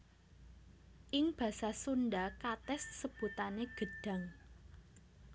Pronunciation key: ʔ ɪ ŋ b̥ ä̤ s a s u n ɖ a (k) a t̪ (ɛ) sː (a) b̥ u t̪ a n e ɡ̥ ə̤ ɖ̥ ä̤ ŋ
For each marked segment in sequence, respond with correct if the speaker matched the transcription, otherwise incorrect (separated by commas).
correct, correct, incorrect